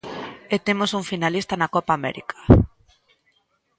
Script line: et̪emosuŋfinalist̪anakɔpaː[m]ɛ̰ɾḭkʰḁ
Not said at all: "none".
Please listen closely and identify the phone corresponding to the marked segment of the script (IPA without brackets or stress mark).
m